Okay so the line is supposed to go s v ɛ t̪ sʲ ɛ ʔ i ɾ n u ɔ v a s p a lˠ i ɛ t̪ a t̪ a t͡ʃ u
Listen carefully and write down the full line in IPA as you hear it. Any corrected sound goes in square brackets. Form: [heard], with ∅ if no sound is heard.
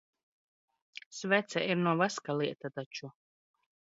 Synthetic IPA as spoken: s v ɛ t̪ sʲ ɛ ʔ i ɾ n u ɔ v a s [k] a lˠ i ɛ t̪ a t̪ a t͡ʃ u